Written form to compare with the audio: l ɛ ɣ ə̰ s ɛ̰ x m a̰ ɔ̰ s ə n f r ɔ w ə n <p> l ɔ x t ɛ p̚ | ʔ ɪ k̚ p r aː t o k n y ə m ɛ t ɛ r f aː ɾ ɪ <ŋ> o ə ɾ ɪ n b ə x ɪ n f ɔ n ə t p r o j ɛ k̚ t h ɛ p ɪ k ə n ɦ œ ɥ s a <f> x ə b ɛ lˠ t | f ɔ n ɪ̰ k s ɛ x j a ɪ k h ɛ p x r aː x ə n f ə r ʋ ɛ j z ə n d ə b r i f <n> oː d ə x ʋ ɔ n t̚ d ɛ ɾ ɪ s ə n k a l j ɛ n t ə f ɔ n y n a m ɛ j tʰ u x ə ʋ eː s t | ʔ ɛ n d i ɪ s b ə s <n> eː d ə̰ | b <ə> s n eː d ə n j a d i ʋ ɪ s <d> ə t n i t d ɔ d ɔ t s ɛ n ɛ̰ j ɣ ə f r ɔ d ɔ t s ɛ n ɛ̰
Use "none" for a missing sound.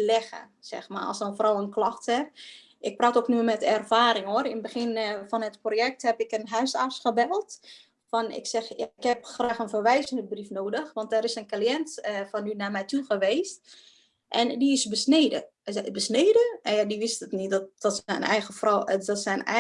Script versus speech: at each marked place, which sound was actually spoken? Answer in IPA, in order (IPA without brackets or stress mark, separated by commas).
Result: k, ŋ, s, n, n, ə, t